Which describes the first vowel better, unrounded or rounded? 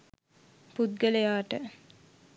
rounded